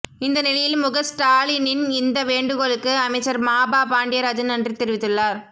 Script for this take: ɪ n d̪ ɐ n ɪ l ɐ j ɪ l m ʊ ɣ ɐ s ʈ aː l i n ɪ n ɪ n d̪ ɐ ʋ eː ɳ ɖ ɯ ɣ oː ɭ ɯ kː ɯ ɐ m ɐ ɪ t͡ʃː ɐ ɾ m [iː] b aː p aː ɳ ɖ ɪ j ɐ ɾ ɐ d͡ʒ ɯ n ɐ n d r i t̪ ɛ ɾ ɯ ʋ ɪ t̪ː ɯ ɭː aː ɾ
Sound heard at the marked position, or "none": aː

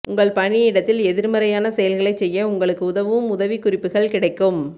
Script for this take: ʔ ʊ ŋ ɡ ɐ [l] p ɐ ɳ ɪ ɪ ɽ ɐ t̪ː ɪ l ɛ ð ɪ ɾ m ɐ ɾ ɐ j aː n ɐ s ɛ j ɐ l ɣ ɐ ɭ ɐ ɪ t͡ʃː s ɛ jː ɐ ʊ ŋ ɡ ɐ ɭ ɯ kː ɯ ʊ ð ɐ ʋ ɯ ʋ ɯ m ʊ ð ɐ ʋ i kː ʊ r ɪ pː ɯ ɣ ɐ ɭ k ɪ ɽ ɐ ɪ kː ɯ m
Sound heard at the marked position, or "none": ɭ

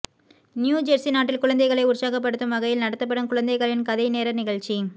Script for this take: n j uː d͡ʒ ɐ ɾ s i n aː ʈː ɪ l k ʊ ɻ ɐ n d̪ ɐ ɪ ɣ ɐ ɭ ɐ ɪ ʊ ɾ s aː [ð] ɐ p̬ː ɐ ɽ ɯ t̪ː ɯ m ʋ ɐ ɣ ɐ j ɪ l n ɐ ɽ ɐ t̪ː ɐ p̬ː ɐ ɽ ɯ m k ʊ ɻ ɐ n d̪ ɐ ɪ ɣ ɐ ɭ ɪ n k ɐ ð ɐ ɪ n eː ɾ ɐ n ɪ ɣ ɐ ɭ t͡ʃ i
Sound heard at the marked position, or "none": ɣ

